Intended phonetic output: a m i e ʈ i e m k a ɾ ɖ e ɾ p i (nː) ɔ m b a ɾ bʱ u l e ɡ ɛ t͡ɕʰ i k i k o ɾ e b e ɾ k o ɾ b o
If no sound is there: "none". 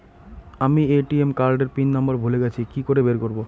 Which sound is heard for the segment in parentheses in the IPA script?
nː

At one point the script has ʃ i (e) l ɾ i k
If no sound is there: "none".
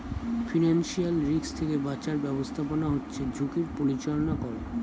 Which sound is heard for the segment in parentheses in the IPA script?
a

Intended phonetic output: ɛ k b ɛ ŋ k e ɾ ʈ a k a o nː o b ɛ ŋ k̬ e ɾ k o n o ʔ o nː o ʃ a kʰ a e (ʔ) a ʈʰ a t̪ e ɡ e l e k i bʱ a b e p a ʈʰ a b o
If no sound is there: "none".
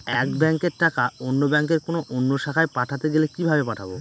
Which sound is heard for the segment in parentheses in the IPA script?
p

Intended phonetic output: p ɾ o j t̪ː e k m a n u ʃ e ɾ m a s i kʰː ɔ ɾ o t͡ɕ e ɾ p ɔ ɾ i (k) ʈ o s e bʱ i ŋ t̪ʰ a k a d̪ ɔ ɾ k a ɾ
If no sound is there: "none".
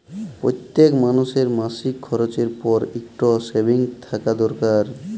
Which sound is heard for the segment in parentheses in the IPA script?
k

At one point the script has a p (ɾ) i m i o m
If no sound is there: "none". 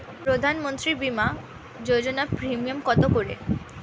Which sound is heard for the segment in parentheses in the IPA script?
ɾ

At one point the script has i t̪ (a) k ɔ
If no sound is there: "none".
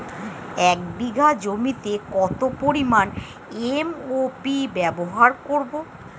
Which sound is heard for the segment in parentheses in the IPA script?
e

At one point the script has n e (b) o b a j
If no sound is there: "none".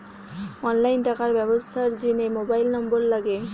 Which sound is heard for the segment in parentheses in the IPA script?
m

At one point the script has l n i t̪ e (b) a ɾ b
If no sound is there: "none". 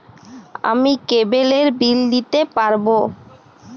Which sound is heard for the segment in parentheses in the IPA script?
p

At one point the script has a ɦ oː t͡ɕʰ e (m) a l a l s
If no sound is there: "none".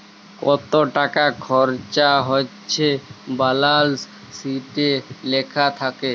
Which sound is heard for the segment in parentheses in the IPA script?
b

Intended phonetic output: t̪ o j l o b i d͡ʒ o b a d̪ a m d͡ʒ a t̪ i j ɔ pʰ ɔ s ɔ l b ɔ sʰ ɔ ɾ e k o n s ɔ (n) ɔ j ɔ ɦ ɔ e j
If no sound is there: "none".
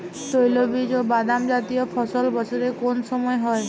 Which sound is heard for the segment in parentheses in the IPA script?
m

